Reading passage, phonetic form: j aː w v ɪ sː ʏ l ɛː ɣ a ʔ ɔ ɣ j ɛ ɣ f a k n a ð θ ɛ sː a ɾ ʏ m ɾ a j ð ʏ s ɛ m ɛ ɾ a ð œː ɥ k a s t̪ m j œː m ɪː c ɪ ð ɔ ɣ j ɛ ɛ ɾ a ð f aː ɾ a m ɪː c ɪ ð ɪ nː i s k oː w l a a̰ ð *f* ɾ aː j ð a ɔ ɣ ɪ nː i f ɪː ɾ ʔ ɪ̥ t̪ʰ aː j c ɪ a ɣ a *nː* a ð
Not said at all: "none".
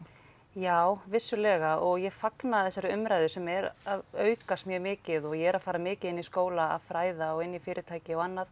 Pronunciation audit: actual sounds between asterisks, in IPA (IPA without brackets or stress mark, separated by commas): f, nː